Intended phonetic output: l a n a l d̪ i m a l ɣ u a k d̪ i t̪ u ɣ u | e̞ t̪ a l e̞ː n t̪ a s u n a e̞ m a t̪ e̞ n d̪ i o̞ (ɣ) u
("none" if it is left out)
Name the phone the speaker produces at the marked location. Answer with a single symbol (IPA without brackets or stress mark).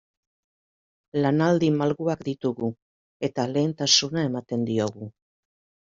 ɣ